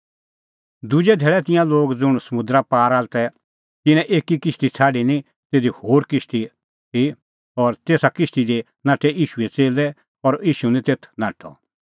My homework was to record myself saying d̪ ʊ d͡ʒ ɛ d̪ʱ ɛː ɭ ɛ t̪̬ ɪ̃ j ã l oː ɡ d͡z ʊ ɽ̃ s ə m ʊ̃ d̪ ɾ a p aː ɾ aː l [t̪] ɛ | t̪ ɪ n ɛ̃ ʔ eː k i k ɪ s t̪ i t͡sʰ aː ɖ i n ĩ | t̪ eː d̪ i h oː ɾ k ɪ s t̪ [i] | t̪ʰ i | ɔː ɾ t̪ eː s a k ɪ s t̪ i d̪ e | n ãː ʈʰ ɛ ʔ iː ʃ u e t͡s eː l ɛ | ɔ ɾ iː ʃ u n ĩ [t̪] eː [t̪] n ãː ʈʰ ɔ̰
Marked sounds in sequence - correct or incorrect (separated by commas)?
correct, correct, correct, incorrect